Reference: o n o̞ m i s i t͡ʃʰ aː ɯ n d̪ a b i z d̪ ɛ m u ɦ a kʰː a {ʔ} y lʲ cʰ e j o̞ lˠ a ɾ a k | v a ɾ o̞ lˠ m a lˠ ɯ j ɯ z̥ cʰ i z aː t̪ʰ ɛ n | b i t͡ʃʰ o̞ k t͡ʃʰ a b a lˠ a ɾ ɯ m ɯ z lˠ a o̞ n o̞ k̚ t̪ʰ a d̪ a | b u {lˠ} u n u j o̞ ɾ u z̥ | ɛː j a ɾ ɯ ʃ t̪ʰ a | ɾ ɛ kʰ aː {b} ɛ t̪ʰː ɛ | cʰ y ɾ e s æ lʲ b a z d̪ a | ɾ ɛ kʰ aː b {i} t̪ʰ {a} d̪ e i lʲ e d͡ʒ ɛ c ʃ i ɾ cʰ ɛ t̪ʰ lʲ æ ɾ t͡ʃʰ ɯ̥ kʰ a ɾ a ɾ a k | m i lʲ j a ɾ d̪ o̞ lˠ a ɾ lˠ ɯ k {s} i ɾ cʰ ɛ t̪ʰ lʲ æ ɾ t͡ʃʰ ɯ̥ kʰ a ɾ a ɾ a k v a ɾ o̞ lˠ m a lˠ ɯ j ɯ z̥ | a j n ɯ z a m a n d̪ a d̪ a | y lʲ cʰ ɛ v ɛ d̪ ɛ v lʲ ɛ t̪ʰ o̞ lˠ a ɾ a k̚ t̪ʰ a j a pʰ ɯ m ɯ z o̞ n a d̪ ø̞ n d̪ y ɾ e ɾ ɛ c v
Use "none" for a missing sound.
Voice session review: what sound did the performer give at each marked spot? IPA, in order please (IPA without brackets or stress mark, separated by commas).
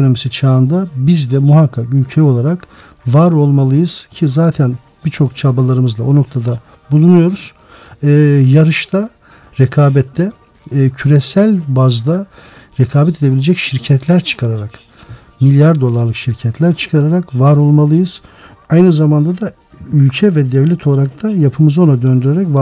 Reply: k, lˠ, b, ɛ, e, ʃ